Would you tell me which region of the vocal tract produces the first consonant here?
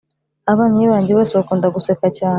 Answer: lips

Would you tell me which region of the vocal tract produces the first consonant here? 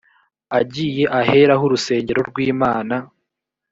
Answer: palate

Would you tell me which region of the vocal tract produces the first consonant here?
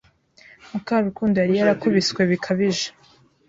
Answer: lips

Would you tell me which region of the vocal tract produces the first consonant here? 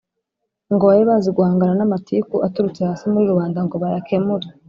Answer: velum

